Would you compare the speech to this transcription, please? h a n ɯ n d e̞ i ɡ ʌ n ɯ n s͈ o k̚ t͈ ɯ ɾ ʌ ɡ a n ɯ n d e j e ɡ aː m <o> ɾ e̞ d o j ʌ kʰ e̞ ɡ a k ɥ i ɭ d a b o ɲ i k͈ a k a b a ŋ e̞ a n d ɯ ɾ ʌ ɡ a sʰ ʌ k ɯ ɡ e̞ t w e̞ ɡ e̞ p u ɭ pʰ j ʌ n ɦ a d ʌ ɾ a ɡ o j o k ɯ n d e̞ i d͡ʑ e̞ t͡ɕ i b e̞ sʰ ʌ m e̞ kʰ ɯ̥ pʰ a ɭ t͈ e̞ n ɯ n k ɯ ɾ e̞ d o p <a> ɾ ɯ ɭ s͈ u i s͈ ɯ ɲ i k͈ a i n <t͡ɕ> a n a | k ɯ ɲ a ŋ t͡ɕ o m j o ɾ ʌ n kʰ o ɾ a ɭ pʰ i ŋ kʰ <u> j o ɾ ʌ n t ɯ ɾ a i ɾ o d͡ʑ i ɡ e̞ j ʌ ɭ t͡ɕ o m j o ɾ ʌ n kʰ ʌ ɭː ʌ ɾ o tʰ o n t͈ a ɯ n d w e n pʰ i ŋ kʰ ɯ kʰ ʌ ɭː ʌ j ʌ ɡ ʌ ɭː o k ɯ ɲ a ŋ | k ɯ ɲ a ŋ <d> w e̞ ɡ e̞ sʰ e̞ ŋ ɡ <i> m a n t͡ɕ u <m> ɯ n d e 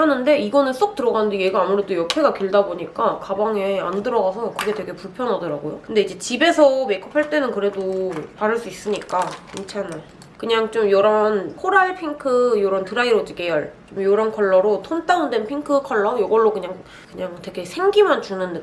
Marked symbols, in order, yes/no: no, yes, no, no, no, yes, no

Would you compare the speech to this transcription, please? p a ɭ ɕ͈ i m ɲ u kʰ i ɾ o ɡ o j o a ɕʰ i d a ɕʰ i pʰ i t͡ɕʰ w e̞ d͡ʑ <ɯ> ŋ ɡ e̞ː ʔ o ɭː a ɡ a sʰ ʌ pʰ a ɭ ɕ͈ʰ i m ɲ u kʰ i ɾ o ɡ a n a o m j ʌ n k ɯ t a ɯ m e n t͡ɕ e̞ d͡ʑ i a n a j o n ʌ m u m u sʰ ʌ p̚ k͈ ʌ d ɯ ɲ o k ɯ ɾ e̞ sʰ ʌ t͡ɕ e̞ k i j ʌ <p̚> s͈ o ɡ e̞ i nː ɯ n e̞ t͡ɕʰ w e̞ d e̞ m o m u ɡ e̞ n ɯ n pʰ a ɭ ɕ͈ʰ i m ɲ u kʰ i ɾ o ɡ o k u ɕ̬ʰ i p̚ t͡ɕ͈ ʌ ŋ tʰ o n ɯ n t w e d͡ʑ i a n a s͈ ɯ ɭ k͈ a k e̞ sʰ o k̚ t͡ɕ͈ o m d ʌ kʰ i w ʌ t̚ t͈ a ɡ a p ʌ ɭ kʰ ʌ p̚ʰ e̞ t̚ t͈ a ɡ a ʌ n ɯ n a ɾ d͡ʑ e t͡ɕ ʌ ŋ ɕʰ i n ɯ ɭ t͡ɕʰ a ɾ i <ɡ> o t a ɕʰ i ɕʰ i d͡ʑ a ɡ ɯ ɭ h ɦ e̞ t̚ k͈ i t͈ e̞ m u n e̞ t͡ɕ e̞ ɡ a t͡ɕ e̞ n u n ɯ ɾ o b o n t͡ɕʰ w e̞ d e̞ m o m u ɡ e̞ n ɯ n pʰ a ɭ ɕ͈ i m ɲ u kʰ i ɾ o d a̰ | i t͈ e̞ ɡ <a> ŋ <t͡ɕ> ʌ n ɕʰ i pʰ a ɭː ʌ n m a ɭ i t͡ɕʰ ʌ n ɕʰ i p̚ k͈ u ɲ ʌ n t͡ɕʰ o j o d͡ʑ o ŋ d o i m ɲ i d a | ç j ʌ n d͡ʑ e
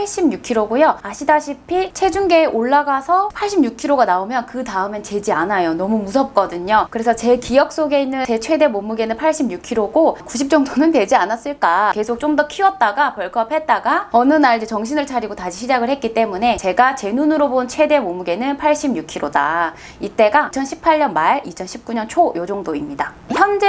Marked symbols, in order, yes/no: no, no, yes, yes, no

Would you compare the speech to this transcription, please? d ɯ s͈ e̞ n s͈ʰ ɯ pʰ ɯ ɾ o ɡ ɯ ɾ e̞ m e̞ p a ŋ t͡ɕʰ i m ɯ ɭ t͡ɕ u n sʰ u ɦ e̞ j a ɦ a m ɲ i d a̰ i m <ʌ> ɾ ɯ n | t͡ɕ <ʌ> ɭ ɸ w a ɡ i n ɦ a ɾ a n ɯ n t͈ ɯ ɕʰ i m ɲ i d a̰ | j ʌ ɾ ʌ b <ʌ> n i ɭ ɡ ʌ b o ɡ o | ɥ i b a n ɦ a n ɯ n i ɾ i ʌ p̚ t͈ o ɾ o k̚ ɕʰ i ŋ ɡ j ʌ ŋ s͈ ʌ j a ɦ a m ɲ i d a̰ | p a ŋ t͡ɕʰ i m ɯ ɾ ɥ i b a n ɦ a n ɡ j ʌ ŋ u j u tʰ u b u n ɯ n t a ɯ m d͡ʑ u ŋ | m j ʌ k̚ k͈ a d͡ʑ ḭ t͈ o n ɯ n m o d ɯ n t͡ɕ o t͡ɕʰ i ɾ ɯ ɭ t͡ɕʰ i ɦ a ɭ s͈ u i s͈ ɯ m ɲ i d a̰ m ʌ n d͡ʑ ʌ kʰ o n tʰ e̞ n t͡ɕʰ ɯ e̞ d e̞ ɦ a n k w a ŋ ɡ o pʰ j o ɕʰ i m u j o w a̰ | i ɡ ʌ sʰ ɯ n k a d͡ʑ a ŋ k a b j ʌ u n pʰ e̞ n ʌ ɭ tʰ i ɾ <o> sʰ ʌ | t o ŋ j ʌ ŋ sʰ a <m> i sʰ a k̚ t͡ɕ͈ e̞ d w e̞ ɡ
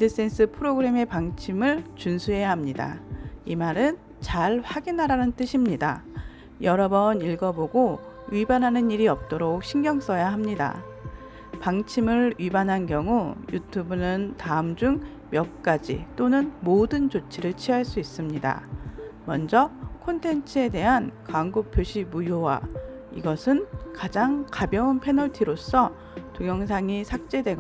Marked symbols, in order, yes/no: no, no, yes, yes, no

